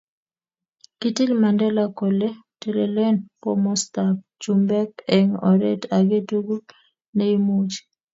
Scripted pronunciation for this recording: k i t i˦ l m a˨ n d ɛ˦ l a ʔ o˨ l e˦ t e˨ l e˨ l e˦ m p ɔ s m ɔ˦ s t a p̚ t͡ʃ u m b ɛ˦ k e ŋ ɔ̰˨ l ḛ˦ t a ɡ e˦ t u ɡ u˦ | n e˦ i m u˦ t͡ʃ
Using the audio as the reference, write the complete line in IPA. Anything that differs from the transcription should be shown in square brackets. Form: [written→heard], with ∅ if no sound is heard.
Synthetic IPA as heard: k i t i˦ l m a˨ n d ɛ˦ l a [ʔ→k] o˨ l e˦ t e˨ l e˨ l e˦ [m→n] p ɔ [s→∅] m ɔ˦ s t a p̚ t͡ʃ u m b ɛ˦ k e ŋ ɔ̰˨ [l→ɾ] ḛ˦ t a ɡ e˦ t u ɡ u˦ | n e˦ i m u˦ t͡ʃ